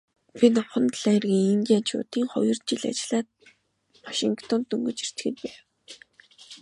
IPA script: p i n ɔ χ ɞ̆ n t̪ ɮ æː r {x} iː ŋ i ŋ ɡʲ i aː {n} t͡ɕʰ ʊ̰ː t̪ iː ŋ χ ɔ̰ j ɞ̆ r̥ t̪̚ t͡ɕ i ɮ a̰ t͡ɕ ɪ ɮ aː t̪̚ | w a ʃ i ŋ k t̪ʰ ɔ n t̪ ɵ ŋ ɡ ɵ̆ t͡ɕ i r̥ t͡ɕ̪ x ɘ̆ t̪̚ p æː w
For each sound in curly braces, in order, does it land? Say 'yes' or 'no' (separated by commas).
no, yes